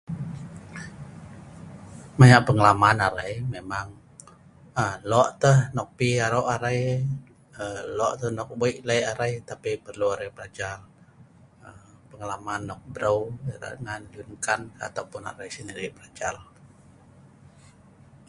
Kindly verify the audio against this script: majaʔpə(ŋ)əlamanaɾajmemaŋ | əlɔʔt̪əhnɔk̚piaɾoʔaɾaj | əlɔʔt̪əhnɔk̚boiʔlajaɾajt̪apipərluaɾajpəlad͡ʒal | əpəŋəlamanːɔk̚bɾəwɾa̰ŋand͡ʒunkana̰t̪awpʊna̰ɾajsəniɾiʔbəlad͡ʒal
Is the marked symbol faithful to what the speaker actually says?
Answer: yes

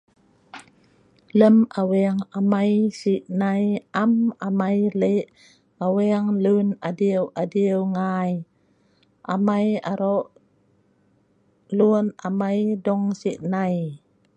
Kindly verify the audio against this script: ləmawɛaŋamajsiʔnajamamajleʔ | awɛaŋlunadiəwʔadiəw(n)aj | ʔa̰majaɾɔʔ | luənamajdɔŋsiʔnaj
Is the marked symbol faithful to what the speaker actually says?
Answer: no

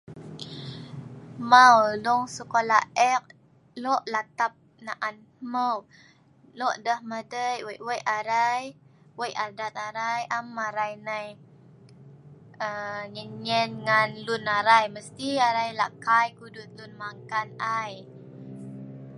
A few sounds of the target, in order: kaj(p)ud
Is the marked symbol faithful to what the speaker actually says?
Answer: no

